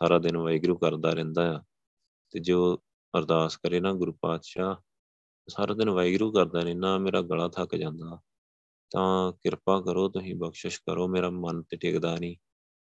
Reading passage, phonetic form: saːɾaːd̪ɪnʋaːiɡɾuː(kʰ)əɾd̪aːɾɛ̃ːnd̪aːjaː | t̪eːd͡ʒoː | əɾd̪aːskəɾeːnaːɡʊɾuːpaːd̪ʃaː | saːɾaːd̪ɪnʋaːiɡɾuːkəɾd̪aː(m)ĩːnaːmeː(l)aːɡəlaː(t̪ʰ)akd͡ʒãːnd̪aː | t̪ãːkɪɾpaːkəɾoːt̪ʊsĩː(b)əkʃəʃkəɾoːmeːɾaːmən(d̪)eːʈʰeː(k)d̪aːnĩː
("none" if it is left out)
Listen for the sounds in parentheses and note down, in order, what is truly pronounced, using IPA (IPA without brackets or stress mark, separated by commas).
k, n, ɾ, t̪ʰ, b, t̪, k